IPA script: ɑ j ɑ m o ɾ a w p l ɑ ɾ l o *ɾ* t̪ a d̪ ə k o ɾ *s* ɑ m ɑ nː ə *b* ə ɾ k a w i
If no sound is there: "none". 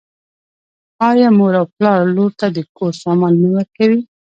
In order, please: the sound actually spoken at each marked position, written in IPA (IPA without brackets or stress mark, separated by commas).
ɾ, s, w